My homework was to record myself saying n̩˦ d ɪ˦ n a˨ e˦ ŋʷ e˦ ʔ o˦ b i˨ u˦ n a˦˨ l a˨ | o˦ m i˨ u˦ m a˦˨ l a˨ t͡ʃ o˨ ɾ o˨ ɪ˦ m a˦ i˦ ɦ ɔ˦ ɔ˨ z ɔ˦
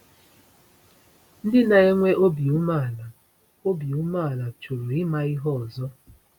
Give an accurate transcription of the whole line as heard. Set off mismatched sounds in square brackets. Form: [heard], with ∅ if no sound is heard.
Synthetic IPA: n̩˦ d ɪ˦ n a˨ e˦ ŋʷ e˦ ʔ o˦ b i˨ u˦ [m] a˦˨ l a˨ | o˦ [b] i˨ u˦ m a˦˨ l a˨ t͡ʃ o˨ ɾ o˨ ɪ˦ m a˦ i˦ ɦ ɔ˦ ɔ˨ z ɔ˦

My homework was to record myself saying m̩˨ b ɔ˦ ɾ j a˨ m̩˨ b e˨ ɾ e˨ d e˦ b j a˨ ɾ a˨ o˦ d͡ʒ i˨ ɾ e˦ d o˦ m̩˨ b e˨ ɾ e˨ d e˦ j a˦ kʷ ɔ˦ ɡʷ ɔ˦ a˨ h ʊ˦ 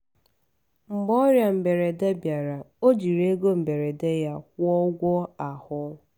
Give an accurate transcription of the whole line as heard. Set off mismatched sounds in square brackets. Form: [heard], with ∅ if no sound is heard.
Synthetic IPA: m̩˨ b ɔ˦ ɾ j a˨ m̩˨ b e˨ ɾ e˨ d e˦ b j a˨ ɾ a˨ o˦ d͡ʒ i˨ ɾ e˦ [ɡ] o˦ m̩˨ b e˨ ɾ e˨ d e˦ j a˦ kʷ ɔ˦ ɡʷ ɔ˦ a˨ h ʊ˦

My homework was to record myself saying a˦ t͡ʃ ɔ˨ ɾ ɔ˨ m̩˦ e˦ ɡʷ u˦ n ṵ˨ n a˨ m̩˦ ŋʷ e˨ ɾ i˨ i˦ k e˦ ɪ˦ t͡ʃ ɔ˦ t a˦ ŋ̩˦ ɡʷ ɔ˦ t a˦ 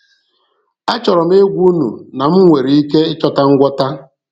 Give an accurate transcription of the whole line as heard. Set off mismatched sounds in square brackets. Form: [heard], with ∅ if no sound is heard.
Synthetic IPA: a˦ t͡ʃ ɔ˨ ɾ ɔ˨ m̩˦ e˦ ɡʷ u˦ n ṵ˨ n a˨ m̩˦ ŋʷ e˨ ɾ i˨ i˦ k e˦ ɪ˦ t͡ʃ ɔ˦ t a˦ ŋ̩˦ ɡʷ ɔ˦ t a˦

